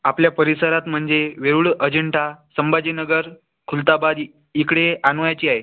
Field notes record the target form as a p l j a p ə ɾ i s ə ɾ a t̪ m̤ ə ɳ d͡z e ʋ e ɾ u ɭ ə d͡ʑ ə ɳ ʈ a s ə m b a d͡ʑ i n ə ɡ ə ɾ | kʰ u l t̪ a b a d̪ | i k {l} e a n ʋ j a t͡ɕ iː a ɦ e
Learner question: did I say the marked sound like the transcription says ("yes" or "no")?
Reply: no